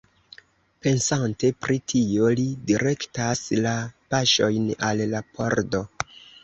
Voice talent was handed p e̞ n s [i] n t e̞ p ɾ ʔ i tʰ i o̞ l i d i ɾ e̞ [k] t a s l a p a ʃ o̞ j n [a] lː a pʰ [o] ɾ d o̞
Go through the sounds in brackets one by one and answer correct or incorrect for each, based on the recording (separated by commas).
incorrect, correct, correct, correct